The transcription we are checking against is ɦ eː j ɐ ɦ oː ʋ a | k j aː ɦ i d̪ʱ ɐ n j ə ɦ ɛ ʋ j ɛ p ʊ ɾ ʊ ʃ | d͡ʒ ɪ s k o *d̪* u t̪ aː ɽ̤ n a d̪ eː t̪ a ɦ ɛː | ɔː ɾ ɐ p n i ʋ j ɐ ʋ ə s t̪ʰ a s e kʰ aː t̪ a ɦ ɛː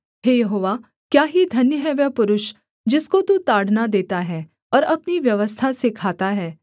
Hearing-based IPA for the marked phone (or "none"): t̪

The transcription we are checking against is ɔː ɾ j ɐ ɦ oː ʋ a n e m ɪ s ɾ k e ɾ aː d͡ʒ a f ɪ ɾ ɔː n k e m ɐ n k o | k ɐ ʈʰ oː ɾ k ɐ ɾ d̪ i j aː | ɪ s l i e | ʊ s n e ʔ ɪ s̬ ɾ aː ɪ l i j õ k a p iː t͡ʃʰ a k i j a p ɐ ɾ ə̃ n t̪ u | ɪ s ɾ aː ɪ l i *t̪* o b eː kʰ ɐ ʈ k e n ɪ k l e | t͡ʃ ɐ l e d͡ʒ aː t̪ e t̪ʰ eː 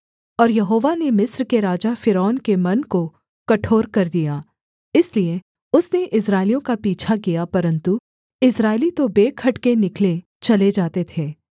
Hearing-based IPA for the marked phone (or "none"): t̪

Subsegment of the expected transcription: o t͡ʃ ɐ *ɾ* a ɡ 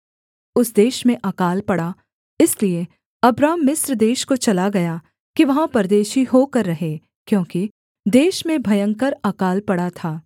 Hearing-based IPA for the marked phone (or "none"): l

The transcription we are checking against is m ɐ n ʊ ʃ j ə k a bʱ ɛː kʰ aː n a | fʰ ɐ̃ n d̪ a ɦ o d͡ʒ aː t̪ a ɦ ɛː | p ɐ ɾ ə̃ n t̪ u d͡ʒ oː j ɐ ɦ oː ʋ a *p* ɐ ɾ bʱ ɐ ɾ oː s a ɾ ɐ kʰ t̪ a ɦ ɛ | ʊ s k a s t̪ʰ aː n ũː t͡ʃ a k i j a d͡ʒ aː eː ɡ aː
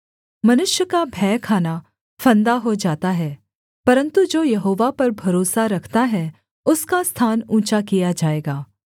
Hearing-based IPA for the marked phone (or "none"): p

